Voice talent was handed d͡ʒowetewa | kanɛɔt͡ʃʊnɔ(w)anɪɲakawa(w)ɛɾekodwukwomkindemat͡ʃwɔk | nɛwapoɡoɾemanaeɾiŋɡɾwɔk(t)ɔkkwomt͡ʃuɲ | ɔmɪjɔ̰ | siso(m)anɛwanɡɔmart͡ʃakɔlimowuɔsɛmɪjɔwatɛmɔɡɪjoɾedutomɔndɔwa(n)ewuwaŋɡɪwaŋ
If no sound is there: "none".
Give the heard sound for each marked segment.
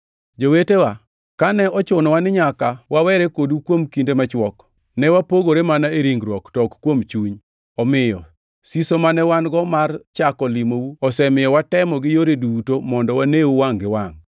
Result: w, w, t, m, n

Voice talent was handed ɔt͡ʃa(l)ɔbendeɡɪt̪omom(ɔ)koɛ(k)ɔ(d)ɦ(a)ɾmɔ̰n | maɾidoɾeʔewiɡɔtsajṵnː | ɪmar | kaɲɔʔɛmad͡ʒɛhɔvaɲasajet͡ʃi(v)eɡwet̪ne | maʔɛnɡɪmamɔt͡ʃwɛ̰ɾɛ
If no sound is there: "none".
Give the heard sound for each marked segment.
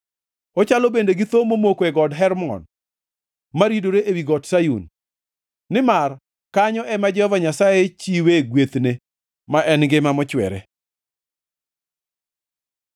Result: l, o, ɡ, d, ɛ, w

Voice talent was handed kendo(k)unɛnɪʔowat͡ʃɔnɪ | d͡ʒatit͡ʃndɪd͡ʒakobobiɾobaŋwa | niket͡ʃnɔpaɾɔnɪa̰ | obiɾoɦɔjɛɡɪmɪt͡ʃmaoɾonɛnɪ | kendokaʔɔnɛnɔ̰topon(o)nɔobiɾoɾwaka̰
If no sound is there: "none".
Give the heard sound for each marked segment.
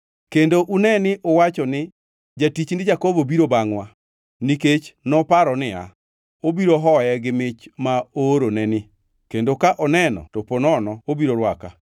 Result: ʔ, ɔ

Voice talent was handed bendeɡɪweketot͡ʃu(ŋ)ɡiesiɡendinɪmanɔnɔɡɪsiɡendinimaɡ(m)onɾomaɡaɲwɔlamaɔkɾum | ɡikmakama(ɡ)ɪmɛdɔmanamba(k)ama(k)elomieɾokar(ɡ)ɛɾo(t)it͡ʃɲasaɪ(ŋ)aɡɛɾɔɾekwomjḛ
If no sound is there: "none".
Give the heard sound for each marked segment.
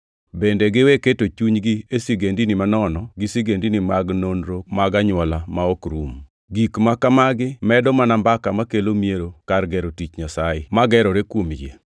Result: ɲ, n, ɡ, k, k, ɡ, t, m

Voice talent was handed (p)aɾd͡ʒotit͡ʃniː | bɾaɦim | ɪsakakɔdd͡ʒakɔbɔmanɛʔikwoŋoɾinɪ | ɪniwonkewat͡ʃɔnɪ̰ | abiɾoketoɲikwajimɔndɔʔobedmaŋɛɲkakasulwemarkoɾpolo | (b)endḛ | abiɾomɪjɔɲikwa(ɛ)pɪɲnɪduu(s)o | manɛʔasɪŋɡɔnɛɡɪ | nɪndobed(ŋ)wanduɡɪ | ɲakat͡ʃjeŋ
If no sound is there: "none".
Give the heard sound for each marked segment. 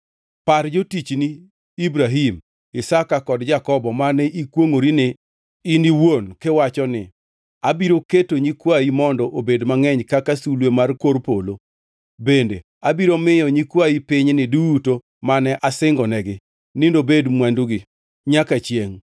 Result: p, b, i, t, m

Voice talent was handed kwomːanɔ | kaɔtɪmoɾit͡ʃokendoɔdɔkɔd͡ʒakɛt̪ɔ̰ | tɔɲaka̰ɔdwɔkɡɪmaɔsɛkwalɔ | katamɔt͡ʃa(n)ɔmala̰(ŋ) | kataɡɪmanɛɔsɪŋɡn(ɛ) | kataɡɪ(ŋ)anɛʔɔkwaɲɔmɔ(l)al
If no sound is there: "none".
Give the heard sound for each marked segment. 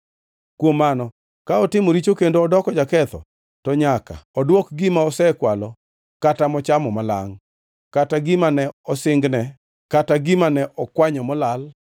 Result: m, ŋ, ɛ, m, l

